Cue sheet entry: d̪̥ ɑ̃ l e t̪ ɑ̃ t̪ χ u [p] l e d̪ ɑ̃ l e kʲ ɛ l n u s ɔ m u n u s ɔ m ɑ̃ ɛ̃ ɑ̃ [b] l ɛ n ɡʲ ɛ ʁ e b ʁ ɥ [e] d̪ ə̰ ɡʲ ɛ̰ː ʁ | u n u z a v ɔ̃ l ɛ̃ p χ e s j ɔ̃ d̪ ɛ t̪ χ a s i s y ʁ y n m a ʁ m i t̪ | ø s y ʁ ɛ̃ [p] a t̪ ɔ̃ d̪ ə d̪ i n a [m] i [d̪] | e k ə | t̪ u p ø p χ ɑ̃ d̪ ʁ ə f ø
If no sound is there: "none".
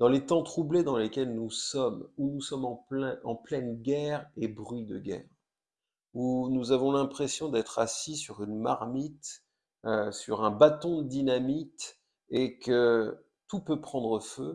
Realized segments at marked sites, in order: b, p, i, b, m, t̪

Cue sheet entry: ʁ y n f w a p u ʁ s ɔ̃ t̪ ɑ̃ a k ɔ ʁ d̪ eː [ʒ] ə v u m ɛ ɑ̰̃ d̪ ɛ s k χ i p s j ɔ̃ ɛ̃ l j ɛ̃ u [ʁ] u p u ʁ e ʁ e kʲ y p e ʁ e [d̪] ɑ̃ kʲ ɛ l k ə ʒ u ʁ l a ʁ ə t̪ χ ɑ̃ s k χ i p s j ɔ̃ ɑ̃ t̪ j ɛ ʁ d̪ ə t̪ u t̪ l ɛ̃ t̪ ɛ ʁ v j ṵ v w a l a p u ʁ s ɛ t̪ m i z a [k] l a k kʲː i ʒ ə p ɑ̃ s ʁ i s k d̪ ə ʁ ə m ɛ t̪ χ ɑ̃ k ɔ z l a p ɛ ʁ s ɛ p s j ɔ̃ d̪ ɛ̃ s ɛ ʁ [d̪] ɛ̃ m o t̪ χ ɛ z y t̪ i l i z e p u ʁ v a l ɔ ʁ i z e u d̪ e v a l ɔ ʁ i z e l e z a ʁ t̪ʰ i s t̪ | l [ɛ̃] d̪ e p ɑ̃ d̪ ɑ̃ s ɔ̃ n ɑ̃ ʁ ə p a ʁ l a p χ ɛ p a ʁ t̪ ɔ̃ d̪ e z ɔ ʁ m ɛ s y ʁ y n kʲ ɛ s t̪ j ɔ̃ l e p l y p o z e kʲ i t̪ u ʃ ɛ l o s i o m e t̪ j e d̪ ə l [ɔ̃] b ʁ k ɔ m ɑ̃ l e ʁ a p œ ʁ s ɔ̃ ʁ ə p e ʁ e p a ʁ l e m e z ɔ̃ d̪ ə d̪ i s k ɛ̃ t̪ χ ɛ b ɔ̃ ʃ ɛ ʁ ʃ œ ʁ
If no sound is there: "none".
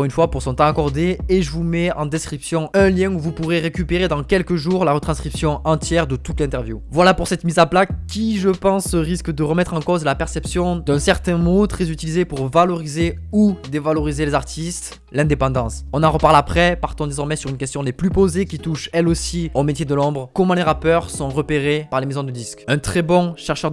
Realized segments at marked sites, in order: ʒ, v, d̪, p, t̪, ɛ̃, ɔ̃

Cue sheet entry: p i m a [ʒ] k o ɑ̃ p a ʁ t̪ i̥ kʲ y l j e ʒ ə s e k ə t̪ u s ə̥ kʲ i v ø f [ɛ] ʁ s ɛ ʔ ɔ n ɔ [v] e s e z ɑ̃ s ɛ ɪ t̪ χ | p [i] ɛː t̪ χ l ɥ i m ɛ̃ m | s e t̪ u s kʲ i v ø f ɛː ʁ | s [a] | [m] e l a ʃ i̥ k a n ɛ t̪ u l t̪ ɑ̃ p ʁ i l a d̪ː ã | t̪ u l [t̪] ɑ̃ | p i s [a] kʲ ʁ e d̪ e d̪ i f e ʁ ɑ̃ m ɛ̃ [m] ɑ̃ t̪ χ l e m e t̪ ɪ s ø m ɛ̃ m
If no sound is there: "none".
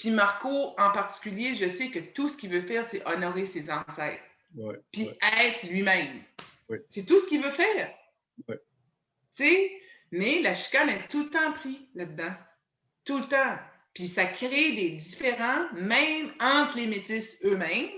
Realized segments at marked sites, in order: ʁ, ɛː, ʁ, i, e, m, t̪, a, m

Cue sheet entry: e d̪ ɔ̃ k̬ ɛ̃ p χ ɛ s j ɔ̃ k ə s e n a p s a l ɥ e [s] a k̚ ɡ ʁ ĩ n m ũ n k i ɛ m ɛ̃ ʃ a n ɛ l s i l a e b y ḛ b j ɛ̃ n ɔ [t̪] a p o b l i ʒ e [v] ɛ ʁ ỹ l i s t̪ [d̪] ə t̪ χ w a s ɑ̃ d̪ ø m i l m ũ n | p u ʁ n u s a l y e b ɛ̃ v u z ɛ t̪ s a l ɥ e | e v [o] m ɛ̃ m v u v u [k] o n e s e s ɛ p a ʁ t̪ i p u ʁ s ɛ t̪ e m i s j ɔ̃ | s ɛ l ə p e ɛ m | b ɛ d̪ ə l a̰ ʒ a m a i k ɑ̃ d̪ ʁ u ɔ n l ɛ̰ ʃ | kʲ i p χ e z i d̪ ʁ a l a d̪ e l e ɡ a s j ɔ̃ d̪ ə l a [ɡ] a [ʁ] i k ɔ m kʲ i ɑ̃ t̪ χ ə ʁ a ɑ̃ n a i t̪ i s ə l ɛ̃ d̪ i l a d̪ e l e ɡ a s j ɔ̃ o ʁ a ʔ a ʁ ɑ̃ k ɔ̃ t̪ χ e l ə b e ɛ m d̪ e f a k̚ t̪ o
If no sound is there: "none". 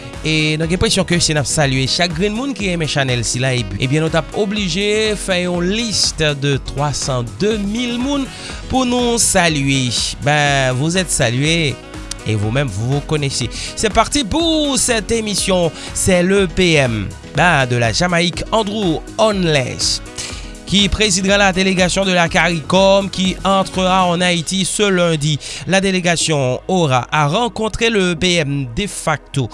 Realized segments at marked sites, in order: ʃ, t̪, f, d̪, u, k, k, ʁ

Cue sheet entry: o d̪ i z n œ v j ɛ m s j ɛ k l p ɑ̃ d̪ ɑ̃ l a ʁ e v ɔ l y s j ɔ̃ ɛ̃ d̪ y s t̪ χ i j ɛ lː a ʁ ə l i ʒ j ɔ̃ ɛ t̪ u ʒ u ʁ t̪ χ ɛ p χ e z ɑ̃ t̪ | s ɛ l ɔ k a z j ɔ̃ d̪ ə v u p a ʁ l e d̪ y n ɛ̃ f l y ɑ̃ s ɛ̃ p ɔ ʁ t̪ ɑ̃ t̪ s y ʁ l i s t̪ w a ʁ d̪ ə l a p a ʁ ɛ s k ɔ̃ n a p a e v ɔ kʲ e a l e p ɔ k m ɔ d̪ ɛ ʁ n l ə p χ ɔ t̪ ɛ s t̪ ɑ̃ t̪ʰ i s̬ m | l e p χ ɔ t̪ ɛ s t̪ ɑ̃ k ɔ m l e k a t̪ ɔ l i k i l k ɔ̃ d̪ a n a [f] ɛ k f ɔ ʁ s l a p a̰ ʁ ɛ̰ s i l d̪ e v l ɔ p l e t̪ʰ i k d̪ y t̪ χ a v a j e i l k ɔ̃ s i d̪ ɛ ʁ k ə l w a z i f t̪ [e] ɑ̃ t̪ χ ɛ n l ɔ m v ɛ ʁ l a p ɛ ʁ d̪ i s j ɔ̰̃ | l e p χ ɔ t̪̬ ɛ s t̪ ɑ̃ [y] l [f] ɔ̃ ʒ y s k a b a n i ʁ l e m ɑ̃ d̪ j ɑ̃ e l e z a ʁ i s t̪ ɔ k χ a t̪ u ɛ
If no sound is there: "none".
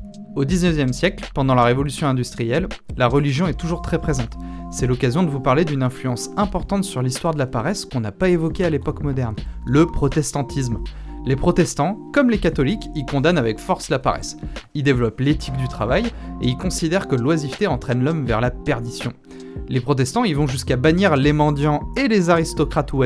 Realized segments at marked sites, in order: v, e, i, v

